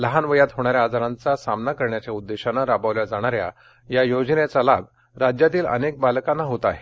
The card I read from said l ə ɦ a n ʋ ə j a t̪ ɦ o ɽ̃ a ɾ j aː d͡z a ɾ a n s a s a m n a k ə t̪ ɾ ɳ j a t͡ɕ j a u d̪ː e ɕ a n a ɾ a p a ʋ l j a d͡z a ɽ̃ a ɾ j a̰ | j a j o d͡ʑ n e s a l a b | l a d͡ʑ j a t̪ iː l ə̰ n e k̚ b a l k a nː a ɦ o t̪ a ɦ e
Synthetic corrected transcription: l ə ɦ a n ʋ ə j a t̪ ɦ o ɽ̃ a ɾ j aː d͡z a ɾ a n t͡s a s a m n a k ə ɾ ɳ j a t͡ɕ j a u d̪ː e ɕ a n a ɾ a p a ʋ l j a d͡z a ɽ̃ a ɾ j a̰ | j a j o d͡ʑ n e t͡s a l a b | ɾ a d͡ʑ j a t̪ iː l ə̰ n e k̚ b a l k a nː a ɦ o t̪ a ɦ e

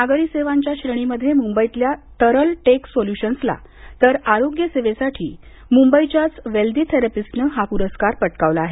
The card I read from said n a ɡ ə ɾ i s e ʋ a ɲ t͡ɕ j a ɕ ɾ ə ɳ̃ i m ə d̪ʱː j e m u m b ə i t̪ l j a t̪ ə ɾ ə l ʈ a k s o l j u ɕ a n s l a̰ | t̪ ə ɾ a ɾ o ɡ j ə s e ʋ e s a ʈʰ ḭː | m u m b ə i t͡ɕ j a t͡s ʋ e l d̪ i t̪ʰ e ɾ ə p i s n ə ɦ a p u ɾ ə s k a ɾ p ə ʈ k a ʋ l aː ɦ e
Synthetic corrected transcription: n a ɡ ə ɾ i s e ʋ a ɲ t͡ɕ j a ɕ ɾ ə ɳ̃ i m ə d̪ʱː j e m u m b ə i t̪ l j a t̪ ə ɾ ə l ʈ e k s o l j u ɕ ə n s l a̰ | t̪ ə ɾ a ɾ o ɡ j ə s e ʋ e s a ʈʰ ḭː | m u m b ə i t͡ɕ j a t͡s ʋ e l d̪ i t̪ʰ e ɾ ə p i s n ə ɦ a p u ɾ ə s k a ɾ p ə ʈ k a ʋ l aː ɦ e

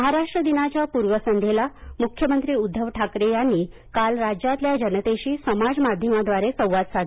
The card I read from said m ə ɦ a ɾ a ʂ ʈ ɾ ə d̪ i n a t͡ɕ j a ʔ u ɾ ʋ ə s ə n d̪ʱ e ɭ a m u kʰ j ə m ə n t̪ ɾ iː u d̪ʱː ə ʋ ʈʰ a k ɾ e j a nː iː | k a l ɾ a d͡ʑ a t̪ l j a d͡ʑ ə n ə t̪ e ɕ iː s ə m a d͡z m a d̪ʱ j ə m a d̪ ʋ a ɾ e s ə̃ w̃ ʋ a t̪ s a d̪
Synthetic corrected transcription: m ə ɦ a ɾ a ʂ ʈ ɾ ə d̪ i n a t͡ɕ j a p u ɾ ʋ ə s ə n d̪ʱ e l a m u kʰ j ə m ə n t̪ ɾ iː u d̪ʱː ə ʋ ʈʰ a k ɾ e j a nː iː | k a l ɾ a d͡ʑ a t̪ l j a d͡ʑ ə n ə t̪ e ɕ iː s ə m a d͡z m a d̪ʱ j ə m a d̪ ʋ a ɾ e s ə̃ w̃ ʋ a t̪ s a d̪

